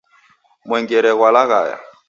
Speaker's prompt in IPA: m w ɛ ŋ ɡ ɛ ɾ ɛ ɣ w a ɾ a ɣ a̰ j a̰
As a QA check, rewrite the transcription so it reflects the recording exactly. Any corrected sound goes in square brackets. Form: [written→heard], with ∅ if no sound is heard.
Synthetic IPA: m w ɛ ŋ ɡ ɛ ɾ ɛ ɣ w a [ɾ→l] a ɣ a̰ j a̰

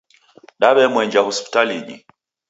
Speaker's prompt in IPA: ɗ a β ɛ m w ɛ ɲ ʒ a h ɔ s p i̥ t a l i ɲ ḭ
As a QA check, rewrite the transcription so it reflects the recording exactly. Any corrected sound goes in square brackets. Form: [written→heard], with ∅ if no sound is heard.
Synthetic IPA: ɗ a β ɛ m w ɛ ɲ [ʒ→d͡ʒ] a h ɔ s p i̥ t a l i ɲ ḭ

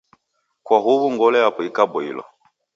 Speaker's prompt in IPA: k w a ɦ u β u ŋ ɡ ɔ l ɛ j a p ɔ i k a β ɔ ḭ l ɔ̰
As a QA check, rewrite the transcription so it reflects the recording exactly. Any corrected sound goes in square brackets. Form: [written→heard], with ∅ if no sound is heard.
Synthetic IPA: k w a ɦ u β u ŋ ɡ ɔ l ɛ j a p ɔ i k a [β→b] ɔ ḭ l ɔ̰

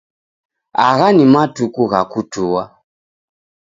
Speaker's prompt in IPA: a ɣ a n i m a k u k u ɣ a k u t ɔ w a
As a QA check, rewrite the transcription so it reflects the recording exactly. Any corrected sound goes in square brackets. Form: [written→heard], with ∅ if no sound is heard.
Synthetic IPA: a ɣ a n i m a [k→t] u k u ɣ a k u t [ɔ→u] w a

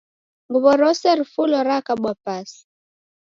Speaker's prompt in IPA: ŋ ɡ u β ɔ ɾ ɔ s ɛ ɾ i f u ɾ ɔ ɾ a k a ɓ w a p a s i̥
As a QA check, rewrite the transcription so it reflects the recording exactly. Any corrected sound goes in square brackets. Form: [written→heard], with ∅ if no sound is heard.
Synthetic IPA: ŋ ɡ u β ɔ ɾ ɔ s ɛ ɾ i f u [ɾ→l] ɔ ɾ a k a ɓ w a p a s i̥

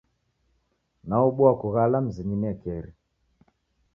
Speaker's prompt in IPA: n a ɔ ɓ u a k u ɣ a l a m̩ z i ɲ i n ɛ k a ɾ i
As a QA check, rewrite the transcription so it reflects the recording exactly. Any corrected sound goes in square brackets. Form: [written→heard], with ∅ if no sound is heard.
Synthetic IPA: n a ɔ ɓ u a k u ɣ a l a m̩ z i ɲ i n ɛ k [a→ɛ] ɾ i

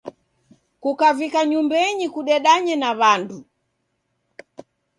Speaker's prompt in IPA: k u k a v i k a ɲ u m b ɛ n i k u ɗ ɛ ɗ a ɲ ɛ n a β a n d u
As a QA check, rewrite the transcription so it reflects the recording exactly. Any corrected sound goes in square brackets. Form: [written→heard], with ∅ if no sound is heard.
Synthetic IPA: k u k a v i k a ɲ u m b ɛ [n→ɲ] i k u ɗ ɛ ɗ a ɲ ɛ n a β a n d u

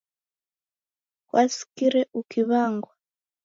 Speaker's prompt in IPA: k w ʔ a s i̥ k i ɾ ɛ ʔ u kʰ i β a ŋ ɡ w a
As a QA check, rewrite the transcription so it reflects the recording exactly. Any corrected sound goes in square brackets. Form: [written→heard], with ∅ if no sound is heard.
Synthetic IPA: k w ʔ a s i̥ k i ɾ ɛ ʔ u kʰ i β a ŋ ɡ w a

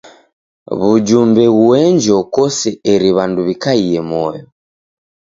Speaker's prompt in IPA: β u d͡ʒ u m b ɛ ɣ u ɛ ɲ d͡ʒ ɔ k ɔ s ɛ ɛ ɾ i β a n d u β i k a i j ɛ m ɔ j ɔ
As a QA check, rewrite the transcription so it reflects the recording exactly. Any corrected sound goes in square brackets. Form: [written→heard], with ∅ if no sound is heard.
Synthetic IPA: β u d͡ʒ u m b ɛ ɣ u ɛ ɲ d͡ʒ ɔ k ɔ s ɛ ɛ ɾ i β a n d u β i k a i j ɛ m ɔ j ɔ

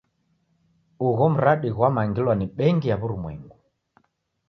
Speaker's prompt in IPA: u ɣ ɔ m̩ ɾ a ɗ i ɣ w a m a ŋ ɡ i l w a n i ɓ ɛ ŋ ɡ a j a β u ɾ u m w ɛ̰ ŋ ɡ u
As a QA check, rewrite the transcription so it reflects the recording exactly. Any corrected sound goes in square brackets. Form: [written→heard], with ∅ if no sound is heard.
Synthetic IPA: u ɣ ɔ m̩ ɾ a ɗ i ɣ w a m a ŋ ɡ i l w a n i ɓ ɛ ŋ ɡ [a→i] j a β u ɾ u m w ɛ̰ ŋ ɡ u

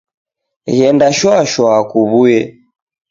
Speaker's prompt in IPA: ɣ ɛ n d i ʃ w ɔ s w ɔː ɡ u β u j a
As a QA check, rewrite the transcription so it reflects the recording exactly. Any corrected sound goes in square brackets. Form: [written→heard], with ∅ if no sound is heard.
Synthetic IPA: ɣ ɛ n d [i→a] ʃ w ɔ [s→ʃ] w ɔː [ɡ→k] u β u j [a→ɛ]

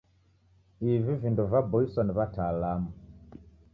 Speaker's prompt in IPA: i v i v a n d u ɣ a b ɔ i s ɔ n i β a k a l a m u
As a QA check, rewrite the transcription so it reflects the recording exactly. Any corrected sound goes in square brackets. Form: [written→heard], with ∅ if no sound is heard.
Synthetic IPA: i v i v [a→i] n d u [ɣ→v] a b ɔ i s ɔ n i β a [k→t] a l a m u

